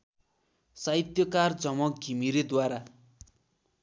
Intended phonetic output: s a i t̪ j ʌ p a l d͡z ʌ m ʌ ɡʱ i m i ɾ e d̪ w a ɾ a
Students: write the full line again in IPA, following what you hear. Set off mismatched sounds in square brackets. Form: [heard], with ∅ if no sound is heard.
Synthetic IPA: s a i t̪ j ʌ [k] a [r] d͡z ʌ m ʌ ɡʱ i m i ɾ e d̪ w a ɾ a

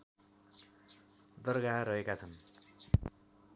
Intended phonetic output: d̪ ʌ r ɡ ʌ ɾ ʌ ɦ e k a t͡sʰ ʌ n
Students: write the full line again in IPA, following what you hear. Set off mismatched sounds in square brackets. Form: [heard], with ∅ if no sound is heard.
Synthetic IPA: d̪ ʌ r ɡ [a] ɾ ʌ ɦ e k a t͡sʰ ʌ n

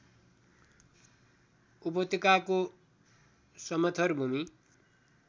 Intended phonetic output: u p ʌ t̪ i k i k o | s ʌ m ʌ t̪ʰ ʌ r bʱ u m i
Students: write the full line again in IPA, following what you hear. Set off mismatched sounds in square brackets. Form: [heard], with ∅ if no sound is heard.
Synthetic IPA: u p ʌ t̪ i k [a] k o | s ʌ m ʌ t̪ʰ ʌ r bʱ u m i

